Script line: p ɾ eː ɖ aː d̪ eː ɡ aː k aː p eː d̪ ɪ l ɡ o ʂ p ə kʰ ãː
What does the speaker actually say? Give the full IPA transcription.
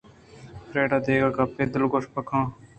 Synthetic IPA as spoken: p ɾ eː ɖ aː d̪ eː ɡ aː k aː p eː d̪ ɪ l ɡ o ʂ p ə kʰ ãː

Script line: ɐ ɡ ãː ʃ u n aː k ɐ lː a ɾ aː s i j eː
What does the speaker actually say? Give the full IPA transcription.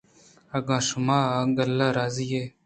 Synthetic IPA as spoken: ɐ ɡ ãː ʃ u m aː ɡ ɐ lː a ɾ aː z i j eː

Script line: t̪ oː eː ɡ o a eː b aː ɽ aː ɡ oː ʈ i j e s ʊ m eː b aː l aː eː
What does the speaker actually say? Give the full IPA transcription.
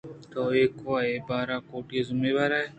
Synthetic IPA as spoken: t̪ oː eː k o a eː b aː ɾ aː k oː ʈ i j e z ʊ m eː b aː ɾ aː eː

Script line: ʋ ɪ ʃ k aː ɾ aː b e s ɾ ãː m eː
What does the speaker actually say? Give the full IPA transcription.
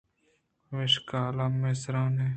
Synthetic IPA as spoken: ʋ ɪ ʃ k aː l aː m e s ɾ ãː n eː

